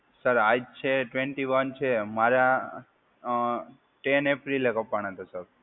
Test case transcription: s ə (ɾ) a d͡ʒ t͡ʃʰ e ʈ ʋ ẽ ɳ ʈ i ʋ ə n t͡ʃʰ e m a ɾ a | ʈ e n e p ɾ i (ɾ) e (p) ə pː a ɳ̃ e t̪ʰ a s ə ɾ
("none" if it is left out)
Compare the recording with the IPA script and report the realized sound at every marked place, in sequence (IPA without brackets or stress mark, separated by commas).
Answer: ɾ, l, k